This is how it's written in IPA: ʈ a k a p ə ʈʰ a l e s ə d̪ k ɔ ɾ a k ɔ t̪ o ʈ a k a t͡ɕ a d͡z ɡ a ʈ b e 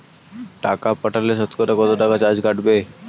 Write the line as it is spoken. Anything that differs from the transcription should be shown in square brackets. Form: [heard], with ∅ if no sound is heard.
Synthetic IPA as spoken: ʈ a k a p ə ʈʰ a l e s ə [t̪] k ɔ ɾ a k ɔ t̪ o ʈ a k a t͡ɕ a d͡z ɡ a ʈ b e

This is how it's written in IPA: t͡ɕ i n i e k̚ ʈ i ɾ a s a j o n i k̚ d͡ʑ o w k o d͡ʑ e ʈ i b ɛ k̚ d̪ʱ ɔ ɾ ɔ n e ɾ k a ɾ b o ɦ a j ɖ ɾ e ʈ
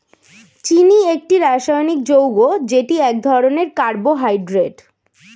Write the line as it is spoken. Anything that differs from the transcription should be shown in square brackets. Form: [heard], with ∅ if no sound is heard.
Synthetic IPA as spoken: t͡ɕ i n i e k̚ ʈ i ɾ a [ʃ] a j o n i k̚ d͡ʑ o w [ɡ] o d͡ʑ e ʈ i [∅] ɛ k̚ d̪ʱ ɔ ɾ [o] n e ɾ k a ɾ b o ɦ a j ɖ ɾ e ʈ

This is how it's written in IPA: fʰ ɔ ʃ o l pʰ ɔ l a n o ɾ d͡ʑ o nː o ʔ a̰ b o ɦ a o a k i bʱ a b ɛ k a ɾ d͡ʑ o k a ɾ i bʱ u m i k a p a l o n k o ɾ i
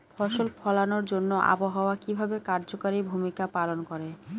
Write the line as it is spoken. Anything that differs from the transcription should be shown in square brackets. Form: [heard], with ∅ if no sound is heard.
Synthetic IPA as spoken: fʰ ɔ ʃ o l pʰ ɔ l a n o ɾ d͡ʑ o nː o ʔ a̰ b o ɦ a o a k i bʱ a b [e] k a ɾ d͡ʑ o k a ɾ i bʱ u m i k a p a l o n k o ɾ [e]

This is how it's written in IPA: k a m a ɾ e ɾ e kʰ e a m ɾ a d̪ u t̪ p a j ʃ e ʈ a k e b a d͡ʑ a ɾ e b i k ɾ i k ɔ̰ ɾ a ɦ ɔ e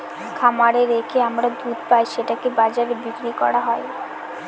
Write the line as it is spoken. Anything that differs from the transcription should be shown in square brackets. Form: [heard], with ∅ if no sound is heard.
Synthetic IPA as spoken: [kʰ] a m a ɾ e ɾ e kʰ e a m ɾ a d̪ u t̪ p a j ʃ e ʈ a k e b a d͡ʑ a ɾ e b i k ɾ i k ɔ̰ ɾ a ɦ ɔ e

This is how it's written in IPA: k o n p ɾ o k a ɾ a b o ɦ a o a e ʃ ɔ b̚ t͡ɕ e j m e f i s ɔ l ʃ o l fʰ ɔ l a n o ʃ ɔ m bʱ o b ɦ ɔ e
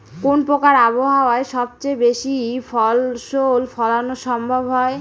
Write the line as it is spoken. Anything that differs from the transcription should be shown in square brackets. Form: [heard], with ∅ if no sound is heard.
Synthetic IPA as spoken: k o n p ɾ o k a ɾ a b o ɦ a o a e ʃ ɔ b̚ t͡ɕ e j [b] e [ʃ] i [f] ɔ l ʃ o l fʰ ɔ l a n o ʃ ɔ m bʱ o b ɦ ɔ e

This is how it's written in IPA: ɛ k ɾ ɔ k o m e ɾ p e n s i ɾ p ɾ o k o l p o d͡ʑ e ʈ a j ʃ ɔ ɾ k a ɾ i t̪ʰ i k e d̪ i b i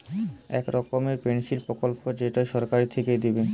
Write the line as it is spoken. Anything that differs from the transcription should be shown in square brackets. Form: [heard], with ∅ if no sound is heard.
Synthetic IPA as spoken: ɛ k ɾ ɔ k o m e ɾ p e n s i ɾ p ɾ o k o l p o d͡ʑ e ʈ a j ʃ ɔ ɾ k a ɾ i t̪ʰ [e] k e d̪ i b [e]

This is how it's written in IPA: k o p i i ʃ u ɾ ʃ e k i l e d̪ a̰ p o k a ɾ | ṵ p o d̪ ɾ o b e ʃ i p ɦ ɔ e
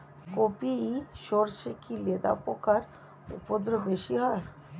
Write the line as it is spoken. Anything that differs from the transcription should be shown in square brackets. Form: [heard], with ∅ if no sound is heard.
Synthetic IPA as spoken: k o p i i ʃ [o] ɾ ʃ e k i l e d̪ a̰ p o k a ɾ | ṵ p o d̪ ɾ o b e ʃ i [∅] ɦ ɔ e

